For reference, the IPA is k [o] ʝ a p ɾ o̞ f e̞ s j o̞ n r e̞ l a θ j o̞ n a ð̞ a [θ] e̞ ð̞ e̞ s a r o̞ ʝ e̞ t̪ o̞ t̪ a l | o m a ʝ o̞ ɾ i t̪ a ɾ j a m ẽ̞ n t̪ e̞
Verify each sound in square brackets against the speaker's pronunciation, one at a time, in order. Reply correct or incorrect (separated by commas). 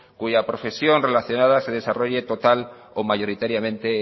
incorrect, incorrect